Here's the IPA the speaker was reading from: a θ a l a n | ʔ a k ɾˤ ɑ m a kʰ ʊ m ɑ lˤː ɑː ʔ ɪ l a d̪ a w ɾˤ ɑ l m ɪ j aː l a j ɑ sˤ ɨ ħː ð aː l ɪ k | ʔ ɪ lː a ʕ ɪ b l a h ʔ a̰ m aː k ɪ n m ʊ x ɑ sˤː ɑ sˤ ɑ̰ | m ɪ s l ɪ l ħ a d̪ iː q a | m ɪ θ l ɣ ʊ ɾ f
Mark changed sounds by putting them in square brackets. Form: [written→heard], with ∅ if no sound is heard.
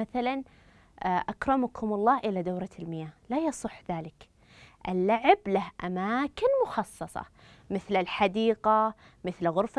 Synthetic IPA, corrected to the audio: a θ a l a n | ʔ a k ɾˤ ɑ m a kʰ ʊ m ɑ lˤː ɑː ʔ ɪ l a d̪ a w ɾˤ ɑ l m ɪ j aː l a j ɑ sˤ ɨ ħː ð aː l ɪ k | ʔ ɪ lː a ʕ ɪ b l a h ʔ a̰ m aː k ɪ n m ʊ x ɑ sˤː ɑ sˤ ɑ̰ | m ɪ [s→θ] l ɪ l ħ a d̪ iː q a | m ɪ θ l ɣ ʊ ɾ f

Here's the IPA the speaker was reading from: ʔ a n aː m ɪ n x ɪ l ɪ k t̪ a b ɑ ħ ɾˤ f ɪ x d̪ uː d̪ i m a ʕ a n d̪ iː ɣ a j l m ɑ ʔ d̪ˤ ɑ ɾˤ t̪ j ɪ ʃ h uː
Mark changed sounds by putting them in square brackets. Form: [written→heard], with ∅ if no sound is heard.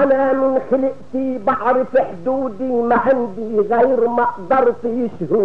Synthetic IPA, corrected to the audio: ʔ a n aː m ɪ n x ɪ l ɪ [k→ʔ] t̪ [a→i] b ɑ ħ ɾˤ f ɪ [x→ħ] d̪ uː d̪ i m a ʕ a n d̪ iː ɣ a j [l→ɾ] m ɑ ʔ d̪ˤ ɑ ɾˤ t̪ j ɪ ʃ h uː

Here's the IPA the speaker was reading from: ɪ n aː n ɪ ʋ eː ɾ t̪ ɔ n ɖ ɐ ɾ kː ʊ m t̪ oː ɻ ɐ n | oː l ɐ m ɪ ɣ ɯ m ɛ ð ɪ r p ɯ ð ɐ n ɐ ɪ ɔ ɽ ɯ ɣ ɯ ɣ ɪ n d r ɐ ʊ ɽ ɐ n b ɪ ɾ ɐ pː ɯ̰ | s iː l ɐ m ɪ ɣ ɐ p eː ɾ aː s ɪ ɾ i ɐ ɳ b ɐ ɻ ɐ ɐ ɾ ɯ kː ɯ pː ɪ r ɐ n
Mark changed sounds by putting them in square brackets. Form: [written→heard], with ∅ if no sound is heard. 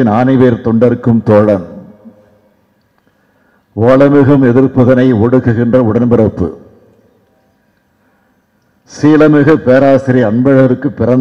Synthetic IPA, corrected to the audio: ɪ n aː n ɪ ʋ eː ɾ t̪ ɔ [n→ɳ] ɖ ɐ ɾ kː [ʊ→ɯ] m t̪ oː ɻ ɐ n | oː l ɐ m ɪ ɣ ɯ m ɛ ð ɪ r p ɯ ð ɐ n ɐ ɪ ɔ ɽ ɯ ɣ ɯ ɣ ɪ n d r ɐ ʊ ɽ ɐ n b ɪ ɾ ɐ pː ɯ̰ | s iː l ɐ m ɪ ɣ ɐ p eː ɾ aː s ɪ ɾ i ɐ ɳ b ɐ ɻ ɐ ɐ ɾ ɯ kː ɯ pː ɪ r ɐ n

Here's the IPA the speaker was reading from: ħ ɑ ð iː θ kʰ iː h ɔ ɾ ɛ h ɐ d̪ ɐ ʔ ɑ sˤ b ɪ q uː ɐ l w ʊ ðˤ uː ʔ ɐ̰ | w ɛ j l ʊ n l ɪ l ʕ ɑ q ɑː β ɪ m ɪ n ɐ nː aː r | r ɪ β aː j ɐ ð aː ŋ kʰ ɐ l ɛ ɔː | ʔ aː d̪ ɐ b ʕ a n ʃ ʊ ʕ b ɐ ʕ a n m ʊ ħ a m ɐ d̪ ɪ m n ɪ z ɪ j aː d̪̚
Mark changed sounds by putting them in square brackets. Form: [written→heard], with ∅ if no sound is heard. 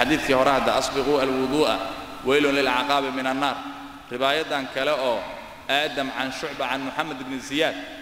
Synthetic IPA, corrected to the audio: ħ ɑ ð iː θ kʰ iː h ɔ ɾ ɛ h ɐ d̪ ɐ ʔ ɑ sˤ b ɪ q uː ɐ l w ʊ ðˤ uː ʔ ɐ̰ | w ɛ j l ʊ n l ɪ l ʕ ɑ q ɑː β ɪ m ɪ n ɐ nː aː r | r ɪ β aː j ɐ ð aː ŋ kʰ ɐ l ɛ ɔː | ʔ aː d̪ ɐ [b→m] ʕ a n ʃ ʊ ʕ b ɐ ʕ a n m ʊ ħ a m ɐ d̪ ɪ [m→b] n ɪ z ɪ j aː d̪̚

